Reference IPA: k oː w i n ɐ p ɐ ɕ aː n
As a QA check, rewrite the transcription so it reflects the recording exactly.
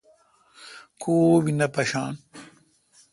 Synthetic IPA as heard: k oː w i n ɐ p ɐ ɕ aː n